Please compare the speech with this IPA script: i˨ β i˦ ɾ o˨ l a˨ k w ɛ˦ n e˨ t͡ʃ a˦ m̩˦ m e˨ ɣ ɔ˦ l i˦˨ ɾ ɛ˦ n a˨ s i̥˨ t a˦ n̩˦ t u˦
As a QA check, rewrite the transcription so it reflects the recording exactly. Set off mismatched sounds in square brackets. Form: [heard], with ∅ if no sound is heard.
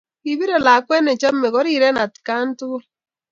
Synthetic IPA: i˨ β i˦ ɾ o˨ l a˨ k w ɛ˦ n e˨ t͡ʃ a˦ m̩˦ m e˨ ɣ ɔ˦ [ɾ] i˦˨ ɾ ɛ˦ n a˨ [t] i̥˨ [k] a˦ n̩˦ t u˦